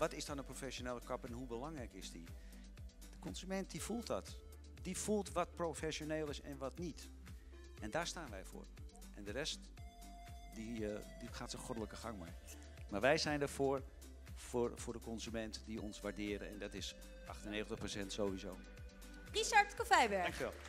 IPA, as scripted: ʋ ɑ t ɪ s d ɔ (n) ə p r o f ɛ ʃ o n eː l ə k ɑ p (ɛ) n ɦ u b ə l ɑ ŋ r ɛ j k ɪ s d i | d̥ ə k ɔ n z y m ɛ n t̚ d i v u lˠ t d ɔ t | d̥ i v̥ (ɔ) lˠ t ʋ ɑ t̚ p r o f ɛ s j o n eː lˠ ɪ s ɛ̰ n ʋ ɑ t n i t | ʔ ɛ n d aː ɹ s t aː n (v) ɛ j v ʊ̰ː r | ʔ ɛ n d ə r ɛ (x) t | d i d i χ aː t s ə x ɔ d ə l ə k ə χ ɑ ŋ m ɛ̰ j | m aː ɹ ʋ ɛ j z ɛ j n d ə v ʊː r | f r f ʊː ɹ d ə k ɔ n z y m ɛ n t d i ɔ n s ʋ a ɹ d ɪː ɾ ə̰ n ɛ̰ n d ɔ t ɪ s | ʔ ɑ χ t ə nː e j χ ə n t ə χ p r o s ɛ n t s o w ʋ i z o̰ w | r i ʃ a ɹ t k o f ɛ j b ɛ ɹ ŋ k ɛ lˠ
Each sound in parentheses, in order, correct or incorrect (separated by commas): correct, correct, incorrect, incorrect, incorrect